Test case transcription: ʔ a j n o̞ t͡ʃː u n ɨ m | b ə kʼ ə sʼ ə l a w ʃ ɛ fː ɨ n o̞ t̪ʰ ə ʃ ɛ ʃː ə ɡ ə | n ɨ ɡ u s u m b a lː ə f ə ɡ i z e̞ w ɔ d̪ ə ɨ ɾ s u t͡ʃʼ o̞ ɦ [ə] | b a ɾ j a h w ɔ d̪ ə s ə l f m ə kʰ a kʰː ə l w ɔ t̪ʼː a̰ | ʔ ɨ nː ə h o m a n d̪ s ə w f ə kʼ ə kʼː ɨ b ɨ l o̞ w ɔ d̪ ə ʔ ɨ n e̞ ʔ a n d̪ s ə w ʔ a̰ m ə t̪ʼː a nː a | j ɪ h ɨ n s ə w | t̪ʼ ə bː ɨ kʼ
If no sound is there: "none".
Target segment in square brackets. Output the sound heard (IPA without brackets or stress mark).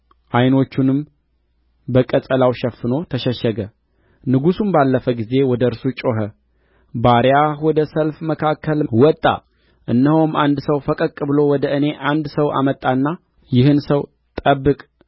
ə